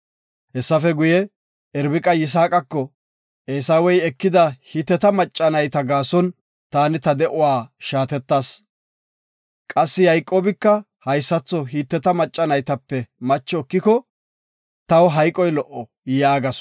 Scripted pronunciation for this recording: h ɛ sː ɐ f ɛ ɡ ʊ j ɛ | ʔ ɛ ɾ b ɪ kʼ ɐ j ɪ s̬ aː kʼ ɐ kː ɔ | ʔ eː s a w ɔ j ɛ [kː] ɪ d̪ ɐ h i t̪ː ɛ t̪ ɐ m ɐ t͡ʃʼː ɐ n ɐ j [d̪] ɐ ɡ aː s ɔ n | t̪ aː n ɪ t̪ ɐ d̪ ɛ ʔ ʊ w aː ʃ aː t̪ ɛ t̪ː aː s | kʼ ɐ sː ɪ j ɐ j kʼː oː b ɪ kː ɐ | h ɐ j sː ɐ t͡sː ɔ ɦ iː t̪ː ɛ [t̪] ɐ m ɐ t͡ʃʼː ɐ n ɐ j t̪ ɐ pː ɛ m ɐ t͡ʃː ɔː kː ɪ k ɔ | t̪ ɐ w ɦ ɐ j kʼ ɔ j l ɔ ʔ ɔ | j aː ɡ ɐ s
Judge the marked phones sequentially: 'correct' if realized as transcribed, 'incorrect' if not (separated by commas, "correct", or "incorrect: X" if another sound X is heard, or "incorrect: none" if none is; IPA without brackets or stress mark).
correct, incorrect: t̪, correct